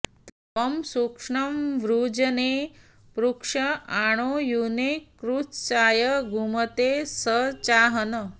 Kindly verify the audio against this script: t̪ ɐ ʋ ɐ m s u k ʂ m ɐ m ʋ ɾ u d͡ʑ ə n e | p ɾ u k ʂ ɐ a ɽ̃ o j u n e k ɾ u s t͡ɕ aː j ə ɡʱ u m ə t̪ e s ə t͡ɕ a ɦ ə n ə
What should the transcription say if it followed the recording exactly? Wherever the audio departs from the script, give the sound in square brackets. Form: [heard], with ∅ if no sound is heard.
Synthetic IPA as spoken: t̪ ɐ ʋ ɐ m s u k ʂ [ɳ] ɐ m ʋ ɾ u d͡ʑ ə n e | p ɾ u k ʂ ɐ a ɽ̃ o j u n e k ɾ u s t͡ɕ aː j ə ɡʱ u m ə t̪ e s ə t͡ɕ a ɦ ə n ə